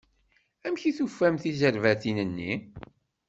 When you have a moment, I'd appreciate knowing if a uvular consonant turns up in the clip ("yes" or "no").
no